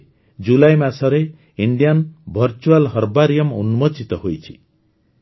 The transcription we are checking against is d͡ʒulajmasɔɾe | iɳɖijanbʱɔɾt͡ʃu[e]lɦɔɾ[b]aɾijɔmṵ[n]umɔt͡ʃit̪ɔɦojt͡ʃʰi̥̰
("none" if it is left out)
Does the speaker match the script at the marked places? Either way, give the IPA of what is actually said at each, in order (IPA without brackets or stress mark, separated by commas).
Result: a, b, n